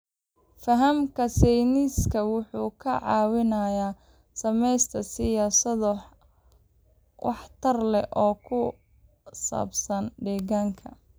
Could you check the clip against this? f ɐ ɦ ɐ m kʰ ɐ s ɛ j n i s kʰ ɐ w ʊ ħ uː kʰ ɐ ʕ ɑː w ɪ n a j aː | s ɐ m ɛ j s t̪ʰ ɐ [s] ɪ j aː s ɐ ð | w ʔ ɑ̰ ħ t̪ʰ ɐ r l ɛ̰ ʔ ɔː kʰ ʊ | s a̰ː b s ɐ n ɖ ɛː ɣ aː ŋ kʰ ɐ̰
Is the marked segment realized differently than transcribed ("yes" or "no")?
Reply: no